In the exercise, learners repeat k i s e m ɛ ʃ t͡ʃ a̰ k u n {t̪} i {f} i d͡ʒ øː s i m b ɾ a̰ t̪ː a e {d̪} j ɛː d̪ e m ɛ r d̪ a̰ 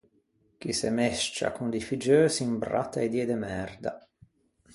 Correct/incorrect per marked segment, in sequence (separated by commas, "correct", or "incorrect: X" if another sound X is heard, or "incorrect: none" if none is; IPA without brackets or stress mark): incorrect: d̪, correct, correct